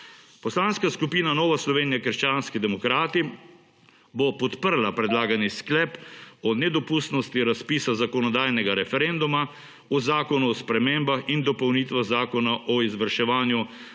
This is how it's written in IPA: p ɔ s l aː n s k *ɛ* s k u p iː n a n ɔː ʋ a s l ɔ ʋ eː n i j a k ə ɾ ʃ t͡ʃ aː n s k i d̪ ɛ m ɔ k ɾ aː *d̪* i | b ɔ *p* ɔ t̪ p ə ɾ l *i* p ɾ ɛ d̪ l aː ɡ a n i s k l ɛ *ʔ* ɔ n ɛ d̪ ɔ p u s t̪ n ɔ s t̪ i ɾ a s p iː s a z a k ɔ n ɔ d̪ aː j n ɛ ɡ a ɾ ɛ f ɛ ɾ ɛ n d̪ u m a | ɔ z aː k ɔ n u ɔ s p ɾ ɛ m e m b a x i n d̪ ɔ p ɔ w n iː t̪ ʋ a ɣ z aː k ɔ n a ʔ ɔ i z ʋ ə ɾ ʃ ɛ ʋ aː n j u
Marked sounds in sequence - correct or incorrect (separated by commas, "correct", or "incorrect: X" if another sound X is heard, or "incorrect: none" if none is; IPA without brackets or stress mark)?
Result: incorrect: a, incorrect: t̪, correct, incorrect: a, incorrect: p